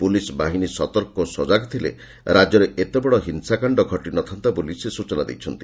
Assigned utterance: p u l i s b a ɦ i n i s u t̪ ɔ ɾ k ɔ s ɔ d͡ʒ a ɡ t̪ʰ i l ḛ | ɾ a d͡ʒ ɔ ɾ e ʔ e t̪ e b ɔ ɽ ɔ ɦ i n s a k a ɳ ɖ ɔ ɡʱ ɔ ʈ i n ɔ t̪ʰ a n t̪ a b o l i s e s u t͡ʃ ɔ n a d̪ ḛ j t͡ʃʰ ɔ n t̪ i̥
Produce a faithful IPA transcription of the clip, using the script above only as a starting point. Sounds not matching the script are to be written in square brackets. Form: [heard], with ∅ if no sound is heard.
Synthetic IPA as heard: p u l i s b a ɦ i n i s [ɔ] t̪ ɔ ɾ k ɔ s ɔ d͡ʒ a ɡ t̪ʰ i l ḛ | ɾ a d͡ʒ ɔ ɾ e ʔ e t̪ e b ɔ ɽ ɔ ɦ i n s a k a ɳ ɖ ɔ ɡʱ ɔ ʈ i n ɔ t̪ʰ a n t̪ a b o l i s e s u t͡ʃ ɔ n a d̪ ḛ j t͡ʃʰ ɔ n t̪ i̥